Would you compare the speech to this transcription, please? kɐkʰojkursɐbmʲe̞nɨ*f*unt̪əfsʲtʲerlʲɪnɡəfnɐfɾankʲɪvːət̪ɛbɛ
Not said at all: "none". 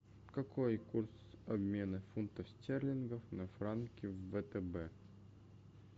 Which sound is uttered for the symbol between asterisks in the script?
f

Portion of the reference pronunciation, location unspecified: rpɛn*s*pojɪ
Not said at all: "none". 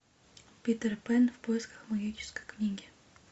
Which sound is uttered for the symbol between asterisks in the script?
f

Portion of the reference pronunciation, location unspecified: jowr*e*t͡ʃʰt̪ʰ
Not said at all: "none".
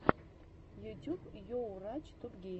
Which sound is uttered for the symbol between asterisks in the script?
a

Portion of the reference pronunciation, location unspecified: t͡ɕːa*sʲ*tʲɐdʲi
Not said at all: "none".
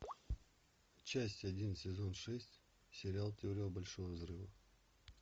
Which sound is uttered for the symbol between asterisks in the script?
sʲ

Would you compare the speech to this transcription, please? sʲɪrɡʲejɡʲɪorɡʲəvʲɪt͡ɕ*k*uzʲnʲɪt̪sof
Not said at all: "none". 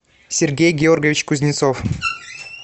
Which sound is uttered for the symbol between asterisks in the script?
k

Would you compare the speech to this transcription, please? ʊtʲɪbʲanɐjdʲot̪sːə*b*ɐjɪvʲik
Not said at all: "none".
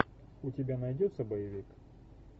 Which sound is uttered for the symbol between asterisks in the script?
b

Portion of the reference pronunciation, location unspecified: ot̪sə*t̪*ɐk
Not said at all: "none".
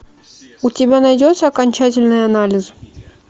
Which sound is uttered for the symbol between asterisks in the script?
none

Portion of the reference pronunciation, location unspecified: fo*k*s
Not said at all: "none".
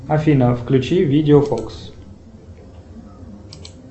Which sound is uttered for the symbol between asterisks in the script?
k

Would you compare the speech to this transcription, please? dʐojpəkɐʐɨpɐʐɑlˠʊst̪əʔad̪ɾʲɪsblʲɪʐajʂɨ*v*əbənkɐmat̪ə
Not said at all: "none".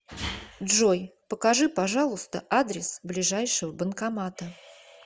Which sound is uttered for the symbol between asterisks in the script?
v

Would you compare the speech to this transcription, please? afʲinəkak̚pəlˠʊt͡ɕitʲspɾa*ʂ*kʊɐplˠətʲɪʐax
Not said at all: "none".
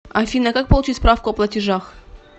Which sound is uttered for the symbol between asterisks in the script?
f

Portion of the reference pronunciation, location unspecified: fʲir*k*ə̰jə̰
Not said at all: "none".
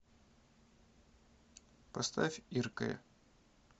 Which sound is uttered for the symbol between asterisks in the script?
k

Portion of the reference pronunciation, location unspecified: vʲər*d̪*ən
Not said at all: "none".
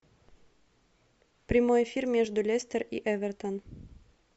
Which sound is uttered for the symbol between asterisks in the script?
t̪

